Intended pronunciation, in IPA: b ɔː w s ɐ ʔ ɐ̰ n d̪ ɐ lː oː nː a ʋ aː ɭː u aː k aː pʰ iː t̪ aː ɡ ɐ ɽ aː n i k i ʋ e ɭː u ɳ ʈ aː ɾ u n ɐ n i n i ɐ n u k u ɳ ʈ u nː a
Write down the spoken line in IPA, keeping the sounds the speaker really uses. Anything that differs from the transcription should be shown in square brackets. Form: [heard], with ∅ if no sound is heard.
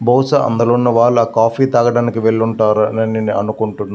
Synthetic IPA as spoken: b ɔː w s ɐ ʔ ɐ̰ n d̪ ɐ [l] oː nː [ɐ] ʋ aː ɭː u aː k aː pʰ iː t̪ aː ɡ ɐ ɽ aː n i k i ʋ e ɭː u ɳ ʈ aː ɾ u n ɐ n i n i ɐ n u k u ɳ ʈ u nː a